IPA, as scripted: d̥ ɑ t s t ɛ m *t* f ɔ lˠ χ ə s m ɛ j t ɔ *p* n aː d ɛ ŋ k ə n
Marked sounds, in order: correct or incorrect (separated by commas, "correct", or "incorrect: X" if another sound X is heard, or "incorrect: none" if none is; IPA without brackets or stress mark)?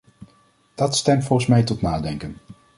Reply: correct, incorrect: t